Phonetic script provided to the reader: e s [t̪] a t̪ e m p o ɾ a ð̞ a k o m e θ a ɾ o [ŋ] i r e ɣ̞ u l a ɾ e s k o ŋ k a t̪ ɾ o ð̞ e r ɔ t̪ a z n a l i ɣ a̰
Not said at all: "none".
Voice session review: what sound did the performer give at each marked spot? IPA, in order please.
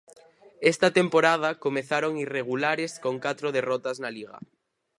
t̪, ŋ

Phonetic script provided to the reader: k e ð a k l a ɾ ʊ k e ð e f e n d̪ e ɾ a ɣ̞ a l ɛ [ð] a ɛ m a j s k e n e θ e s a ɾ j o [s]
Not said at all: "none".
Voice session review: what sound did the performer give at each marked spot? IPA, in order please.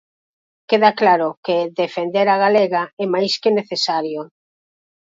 ɣ, none

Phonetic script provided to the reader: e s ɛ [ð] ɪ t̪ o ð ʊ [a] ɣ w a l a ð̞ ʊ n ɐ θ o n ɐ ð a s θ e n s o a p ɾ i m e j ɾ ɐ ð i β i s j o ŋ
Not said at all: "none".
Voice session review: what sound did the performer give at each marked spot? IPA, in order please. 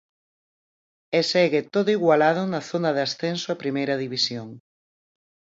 ɣ, i

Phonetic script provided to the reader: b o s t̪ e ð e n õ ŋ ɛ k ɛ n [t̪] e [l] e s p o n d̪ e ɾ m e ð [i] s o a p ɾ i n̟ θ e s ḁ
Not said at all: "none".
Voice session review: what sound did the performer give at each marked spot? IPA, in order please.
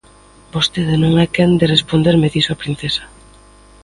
d̪, r, i

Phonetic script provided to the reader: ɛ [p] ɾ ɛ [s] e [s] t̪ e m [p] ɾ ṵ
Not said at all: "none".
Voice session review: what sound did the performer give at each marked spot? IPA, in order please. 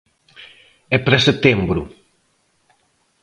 p, s, none, b

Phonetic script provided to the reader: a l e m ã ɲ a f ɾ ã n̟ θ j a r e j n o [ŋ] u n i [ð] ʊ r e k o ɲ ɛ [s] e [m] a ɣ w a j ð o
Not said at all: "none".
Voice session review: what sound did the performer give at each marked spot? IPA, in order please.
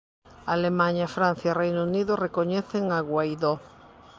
none, ð, θ, ŋ

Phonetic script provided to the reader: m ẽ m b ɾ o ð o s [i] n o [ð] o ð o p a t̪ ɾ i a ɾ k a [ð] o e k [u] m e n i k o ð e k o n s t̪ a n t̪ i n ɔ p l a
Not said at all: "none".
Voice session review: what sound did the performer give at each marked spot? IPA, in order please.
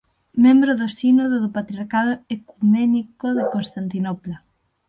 i, ð, ð, u

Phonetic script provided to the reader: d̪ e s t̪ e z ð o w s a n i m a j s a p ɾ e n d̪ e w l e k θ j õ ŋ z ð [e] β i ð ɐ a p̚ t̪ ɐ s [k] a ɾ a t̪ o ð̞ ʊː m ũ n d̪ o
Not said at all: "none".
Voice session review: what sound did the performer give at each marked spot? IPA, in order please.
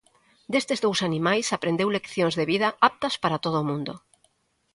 e, p

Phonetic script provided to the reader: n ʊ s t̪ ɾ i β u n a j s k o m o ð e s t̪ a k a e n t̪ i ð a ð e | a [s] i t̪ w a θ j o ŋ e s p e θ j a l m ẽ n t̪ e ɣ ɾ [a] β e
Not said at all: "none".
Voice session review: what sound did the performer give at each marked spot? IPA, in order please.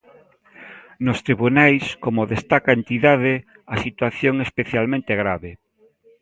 s, a

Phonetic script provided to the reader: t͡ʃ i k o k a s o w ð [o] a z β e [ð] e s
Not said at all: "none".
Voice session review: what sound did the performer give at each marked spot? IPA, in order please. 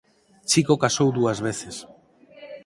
u, θ

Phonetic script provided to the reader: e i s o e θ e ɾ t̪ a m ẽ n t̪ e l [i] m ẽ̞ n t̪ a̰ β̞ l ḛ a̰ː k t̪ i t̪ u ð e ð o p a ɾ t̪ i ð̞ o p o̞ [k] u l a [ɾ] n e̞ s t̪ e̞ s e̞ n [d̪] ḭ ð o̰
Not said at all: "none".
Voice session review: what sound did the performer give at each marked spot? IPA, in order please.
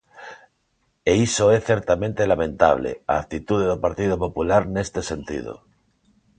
a, p, ɾ, t̪

